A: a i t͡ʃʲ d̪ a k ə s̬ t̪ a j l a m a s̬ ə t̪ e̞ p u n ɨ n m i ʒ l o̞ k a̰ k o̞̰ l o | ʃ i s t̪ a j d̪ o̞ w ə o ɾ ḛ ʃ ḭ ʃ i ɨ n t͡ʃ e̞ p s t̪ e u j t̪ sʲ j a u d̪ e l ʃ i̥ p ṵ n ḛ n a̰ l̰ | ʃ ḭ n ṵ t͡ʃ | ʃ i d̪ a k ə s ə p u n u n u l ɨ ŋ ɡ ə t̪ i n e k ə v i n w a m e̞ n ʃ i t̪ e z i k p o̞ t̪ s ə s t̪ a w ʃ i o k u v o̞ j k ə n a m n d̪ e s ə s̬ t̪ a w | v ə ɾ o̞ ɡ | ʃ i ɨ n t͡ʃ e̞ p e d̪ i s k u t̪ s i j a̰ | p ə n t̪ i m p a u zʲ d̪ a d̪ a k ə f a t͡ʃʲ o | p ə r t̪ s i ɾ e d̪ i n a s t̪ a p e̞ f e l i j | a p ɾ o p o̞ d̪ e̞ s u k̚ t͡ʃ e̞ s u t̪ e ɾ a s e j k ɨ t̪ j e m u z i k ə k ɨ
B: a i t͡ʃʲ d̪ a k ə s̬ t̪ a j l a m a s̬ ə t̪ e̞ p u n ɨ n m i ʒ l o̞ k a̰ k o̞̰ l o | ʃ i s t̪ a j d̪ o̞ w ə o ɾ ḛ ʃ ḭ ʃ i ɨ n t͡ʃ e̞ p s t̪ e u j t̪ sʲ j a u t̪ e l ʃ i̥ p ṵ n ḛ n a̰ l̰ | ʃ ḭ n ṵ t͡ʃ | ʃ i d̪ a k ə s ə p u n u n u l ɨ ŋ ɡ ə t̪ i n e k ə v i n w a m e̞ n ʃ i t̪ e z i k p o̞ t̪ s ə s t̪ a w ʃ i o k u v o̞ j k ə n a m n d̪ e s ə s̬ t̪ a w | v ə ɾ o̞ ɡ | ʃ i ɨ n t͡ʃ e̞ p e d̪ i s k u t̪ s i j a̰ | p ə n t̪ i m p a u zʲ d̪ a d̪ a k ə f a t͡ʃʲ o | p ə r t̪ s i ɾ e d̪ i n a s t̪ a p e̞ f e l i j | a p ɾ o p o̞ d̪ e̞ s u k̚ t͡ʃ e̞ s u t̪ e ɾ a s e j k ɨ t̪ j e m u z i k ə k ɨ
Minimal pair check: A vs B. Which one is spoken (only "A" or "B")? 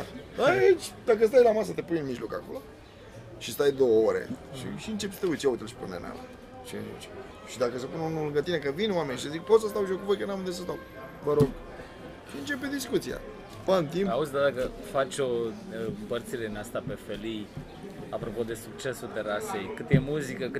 B